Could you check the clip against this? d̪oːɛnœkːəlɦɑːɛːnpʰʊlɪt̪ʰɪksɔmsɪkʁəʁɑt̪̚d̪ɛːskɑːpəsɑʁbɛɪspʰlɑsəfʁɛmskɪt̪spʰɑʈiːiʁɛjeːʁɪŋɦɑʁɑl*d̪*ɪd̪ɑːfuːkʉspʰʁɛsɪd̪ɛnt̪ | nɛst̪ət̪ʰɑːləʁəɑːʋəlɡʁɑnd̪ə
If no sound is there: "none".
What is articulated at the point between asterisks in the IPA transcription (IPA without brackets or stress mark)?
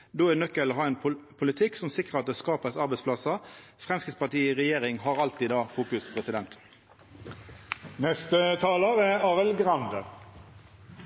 t̪